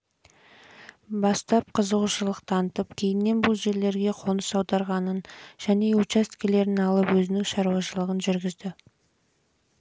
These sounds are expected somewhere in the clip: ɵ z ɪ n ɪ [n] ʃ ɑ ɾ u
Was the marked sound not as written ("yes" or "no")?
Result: yes